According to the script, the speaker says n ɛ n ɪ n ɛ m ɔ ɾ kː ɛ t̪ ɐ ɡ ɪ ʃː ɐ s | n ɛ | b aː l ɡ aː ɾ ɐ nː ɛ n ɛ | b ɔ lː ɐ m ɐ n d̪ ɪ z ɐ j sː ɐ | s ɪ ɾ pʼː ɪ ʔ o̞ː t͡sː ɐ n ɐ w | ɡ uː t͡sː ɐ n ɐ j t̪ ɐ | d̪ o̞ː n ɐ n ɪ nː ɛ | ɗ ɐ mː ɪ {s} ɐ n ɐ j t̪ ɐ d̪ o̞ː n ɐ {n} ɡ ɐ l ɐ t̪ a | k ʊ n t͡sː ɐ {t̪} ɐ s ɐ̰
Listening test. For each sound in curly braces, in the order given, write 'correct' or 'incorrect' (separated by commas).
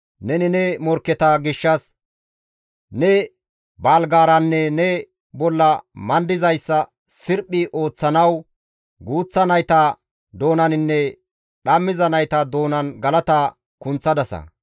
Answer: incorrect, correct, incorrect